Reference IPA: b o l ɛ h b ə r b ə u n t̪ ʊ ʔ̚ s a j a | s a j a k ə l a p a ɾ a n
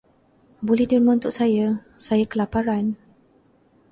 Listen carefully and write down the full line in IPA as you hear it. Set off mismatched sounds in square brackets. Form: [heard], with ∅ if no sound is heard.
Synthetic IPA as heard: b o l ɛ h [d] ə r [m] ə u n t̪ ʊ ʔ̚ s a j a | s a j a k ə l a p a ɾ a n